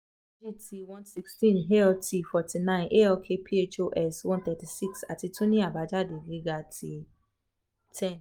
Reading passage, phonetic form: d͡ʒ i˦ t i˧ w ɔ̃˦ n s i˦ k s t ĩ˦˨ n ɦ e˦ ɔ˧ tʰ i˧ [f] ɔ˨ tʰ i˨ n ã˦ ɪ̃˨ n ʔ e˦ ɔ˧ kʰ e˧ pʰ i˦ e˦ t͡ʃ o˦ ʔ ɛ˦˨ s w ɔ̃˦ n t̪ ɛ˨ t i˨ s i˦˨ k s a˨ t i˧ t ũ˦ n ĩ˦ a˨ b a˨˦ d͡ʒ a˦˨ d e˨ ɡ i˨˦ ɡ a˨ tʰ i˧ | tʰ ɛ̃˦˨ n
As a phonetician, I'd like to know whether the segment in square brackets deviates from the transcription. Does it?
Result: no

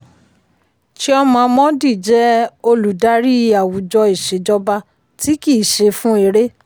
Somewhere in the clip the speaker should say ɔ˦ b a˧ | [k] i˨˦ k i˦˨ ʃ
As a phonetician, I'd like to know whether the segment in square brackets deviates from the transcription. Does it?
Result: yes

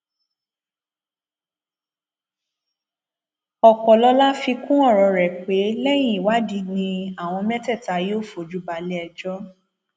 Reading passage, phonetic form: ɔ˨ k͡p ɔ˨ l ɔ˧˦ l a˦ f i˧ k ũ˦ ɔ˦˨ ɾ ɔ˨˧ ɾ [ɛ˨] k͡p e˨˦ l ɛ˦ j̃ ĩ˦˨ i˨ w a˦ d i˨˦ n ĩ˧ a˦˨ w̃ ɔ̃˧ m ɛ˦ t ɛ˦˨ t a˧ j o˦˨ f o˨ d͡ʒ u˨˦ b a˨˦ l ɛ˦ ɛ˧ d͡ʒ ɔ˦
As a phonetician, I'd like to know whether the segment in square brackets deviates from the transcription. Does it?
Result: no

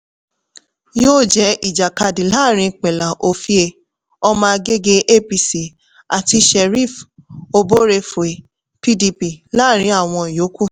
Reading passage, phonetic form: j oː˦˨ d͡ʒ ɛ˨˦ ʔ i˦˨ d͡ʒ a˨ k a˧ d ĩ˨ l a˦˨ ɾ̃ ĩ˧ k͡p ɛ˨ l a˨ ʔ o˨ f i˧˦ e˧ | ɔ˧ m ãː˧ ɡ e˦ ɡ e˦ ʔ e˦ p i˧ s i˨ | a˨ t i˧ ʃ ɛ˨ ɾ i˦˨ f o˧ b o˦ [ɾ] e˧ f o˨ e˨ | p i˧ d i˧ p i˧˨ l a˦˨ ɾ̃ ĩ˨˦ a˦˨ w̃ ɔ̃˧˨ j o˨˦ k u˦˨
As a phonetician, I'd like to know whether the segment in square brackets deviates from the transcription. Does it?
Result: no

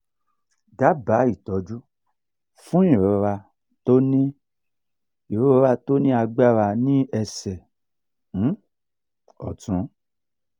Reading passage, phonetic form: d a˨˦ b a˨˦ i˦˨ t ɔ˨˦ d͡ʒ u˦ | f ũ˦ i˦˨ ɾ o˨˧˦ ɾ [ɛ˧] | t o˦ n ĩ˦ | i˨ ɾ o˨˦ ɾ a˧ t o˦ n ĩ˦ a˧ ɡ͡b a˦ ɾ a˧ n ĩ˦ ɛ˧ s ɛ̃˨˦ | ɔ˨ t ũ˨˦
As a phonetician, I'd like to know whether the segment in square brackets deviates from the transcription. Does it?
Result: yes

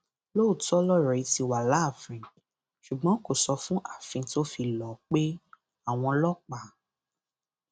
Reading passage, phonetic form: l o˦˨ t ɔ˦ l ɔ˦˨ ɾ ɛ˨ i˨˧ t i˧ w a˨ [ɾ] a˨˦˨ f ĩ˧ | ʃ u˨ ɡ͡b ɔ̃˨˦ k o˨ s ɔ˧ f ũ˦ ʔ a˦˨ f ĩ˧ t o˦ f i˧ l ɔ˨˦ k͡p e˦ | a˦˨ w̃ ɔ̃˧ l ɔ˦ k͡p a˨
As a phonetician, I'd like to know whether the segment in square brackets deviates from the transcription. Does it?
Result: yes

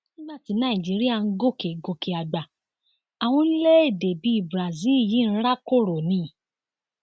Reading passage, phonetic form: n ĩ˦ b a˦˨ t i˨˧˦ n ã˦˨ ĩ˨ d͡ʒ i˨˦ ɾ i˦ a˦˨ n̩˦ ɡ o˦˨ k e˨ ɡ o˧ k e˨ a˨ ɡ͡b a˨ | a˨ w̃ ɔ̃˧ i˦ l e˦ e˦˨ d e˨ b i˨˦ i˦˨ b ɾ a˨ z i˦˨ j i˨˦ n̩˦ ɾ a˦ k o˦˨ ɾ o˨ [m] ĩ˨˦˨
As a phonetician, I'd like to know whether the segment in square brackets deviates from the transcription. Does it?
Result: yes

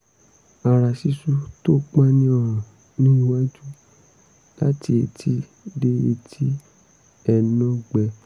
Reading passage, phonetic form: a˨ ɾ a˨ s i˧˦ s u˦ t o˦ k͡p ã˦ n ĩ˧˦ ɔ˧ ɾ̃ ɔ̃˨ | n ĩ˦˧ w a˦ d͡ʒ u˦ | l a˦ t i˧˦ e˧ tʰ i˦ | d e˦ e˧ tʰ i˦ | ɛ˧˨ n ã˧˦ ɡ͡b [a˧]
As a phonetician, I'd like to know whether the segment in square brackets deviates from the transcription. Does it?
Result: yes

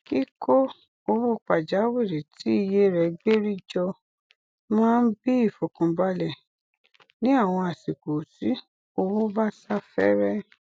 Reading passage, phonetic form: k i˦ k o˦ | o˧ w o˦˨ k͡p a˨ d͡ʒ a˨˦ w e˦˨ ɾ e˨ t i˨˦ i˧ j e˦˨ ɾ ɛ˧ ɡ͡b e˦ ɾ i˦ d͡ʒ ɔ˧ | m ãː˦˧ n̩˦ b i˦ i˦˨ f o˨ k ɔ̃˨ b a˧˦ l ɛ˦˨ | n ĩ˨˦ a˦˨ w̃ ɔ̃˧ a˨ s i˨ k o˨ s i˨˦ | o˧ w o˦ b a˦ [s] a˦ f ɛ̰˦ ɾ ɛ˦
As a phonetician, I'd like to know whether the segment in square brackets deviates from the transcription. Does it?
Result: no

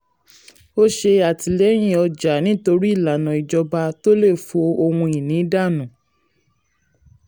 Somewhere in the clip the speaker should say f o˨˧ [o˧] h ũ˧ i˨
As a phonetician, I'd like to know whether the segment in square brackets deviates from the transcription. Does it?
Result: no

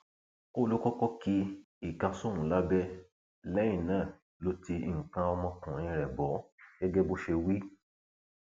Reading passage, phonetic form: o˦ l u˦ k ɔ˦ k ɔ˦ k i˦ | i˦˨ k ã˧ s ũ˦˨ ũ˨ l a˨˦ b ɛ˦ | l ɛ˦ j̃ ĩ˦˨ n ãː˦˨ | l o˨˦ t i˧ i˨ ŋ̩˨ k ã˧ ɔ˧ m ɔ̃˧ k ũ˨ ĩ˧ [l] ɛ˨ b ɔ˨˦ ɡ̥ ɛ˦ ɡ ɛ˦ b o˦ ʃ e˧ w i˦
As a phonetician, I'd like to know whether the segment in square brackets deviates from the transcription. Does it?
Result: yes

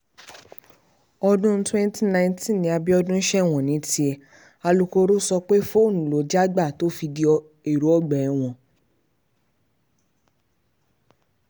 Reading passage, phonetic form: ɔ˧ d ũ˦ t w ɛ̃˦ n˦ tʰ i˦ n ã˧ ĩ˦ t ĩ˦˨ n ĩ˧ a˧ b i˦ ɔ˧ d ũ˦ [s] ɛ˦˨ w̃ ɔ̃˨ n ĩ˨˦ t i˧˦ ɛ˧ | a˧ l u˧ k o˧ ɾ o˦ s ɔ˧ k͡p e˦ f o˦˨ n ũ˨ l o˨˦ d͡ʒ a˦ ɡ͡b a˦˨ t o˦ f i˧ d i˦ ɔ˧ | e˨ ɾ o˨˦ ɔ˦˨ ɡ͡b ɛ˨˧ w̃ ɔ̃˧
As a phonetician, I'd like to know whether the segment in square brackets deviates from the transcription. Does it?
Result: yes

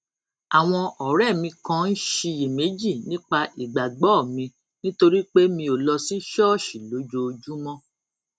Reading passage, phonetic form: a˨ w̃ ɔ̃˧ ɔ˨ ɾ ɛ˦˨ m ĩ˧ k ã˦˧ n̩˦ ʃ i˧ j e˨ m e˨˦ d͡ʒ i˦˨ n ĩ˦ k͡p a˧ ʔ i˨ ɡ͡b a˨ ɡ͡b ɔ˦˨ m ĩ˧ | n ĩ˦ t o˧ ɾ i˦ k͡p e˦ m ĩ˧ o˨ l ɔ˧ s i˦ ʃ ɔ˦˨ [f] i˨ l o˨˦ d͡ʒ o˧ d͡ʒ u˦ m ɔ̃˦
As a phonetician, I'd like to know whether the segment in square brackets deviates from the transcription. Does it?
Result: yes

